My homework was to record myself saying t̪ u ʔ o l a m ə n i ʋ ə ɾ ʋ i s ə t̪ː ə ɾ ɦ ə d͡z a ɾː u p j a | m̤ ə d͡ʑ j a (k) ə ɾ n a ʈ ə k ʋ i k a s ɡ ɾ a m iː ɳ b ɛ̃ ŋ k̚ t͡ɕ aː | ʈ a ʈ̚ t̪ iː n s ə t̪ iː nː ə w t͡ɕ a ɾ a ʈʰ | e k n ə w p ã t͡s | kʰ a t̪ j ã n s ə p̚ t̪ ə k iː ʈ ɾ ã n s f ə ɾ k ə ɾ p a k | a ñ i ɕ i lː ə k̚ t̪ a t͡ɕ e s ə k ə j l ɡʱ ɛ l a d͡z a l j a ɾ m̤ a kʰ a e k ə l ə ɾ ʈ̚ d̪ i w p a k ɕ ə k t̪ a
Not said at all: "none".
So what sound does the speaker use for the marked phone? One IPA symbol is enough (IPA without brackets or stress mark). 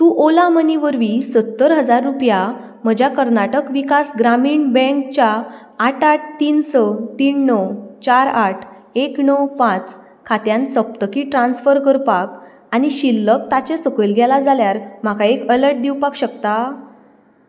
k